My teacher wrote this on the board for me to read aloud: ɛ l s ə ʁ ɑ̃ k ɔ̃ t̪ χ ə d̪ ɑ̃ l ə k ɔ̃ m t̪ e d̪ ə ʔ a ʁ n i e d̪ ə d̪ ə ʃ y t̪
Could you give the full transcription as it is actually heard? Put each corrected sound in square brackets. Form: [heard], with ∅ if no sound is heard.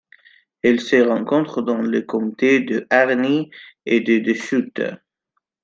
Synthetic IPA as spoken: ɛ l s ə ʁ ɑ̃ k ɔ̃ t̪ χ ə d̪ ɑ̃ l ə k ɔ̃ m t̪ e d̪ ə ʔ a ʁ n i e d̪ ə d̪ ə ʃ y t̪